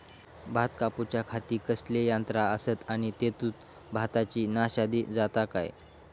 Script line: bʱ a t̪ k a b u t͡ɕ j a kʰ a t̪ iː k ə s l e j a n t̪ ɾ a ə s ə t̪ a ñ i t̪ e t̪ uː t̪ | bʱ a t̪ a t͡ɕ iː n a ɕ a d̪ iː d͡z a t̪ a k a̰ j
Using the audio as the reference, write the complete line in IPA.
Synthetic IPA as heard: bʱ a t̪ k a p u t͡ɕ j a kʰ a t̪ iː k ə s l e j a n t̪ ɾ a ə s ə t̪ a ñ i t̪ e t̪ uː t̪ | bʱ a t̪ a t͡ɕ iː n a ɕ a d̪ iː d͡z a t̪ a k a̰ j